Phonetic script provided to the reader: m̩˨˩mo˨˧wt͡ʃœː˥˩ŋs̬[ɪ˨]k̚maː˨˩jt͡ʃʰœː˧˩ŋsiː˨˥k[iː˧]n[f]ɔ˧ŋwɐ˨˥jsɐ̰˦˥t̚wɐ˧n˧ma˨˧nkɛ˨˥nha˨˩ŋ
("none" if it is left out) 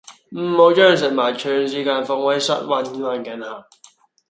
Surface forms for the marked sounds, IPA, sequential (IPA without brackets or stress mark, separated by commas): ɪ˨, aː˧, f